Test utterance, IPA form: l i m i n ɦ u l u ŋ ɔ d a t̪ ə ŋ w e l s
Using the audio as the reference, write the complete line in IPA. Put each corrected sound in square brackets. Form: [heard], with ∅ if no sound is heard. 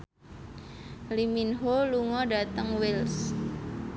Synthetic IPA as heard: l i m i n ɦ [o] l u ŋ ɔ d a t̪ ə ŋ w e l s